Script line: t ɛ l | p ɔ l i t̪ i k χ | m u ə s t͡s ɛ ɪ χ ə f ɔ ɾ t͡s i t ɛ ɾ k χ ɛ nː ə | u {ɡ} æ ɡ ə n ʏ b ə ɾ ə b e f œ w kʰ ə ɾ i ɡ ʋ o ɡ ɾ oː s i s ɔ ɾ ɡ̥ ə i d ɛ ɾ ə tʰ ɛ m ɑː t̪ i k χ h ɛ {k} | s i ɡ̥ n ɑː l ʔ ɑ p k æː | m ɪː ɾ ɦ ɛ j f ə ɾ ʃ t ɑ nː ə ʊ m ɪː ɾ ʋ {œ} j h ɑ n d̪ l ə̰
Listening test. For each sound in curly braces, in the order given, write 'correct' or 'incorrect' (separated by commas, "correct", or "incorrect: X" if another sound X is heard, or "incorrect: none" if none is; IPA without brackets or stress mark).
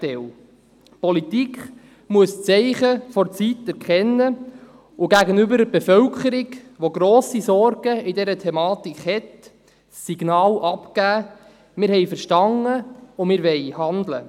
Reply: correct, incorrect: t, incorrect: ɛ